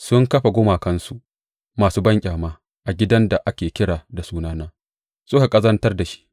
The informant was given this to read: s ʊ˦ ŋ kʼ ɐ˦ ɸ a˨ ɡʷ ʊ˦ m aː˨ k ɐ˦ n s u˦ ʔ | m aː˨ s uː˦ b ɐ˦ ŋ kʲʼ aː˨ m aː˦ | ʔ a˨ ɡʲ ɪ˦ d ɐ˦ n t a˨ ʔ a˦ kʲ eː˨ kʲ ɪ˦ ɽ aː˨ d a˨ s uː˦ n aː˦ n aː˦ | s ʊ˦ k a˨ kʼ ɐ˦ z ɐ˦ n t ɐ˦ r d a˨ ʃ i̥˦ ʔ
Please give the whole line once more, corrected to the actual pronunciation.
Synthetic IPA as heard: s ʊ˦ ŋ k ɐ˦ ɸ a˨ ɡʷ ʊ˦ m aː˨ k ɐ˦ n s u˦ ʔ | m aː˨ s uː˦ b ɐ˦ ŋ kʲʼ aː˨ m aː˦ | ʔ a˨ ɡʲ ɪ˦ d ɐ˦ n d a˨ ʔ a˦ kʲ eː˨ kʲ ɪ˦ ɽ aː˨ d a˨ s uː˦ n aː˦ n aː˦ | s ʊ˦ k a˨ kʼ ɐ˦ z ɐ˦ n t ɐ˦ r d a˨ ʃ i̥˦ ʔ